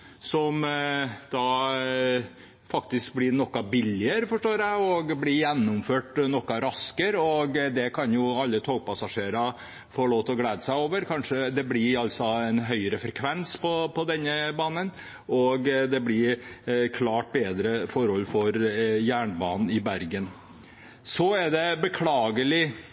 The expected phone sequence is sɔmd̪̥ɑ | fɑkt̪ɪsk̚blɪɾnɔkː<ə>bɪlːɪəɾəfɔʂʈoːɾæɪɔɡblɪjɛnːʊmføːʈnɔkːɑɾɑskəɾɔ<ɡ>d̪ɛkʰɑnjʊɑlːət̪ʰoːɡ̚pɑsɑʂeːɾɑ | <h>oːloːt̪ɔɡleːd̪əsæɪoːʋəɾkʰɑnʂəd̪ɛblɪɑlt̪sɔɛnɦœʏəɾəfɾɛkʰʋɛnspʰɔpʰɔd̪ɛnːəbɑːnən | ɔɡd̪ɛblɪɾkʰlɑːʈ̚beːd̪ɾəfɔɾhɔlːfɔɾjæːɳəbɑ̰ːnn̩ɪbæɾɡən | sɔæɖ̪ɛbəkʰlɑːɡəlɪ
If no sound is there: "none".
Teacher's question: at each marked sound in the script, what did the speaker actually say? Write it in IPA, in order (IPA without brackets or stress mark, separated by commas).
ɑ, ɡ, f